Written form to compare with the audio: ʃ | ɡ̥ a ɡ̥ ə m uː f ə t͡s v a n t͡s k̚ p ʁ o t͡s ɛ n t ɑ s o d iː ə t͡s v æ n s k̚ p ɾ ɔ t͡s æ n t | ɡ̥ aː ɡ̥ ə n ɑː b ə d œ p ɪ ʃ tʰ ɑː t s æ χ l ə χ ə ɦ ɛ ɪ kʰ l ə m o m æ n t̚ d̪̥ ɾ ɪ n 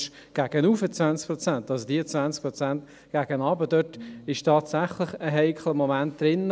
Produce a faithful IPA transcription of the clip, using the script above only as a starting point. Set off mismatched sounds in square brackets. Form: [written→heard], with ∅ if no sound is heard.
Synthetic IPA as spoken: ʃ | ɡ̥ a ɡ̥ ə [m→n] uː f ə t͡s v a n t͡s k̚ p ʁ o t͡s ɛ n t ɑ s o d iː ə t͡s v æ n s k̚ p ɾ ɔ t͡s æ n t | ɡ̥ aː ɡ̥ ə n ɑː b ə d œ [p→t] ɪ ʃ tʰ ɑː t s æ χ l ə χ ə ɦ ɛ ɪ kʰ l ə m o m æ n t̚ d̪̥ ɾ ɪ n